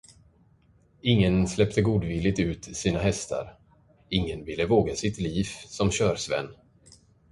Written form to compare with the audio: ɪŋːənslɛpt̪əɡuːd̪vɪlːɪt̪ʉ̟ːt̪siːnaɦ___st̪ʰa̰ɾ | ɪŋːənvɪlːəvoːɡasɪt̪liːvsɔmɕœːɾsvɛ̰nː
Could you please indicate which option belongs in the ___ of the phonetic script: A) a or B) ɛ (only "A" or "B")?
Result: B